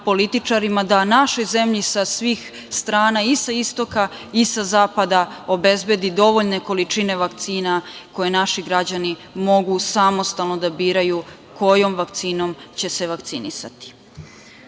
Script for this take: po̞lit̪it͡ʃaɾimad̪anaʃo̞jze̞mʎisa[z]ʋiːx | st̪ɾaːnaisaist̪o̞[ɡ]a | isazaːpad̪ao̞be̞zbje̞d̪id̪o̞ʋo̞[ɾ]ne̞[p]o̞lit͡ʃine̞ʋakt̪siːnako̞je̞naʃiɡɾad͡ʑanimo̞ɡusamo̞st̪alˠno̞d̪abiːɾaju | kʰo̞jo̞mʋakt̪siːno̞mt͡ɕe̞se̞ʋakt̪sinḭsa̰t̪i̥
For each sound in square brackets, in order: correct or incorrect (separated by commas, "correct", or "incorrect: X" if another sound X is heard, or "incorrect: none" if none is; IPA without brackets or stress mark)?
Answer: incorrect: s, incorrect: k, incorrect: ʎ, incorrect: k